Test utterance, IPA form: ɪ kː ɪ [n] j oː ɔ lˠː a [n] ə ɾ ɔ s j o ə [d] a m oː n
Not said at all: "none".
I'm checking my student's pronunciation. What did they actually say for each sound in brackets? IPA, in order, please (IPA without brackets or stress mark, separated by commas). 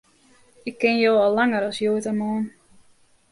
n, ŋ, t